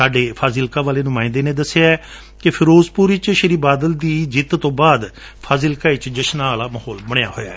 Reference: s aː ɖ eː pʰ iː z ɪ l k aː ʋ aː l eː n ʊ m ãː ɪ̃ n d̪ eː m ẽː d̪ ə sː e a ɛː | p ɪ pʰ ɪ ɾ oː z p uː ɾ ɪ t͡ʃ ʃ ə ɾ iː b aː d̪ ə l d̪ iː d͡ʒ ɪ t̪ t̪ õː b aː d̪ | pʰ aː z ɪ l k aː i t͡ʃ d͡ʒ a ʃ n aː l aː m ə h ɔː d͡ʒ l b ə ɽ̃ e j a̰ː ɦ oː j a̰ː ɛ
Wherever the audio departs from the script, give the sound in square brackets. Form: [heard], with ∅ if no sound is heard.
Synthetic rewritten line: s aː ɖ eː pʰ [aː] z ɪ l k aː ʋ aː l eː n ʊ m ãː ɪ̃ n d̪ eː [n] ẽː d̪ ə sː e a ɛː | [k] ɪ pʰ ɪ ɾ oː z p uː ɾ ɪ t͡ʃ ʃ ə ɾ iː b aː d̪ ə l d̪ iː d͡ʒ ɪ t̪ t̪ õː b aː d̪ | pʰ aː z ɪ l k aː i t͡ʃ d͡ʒ [ə] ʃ n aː l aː m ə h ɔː [∅] l b ə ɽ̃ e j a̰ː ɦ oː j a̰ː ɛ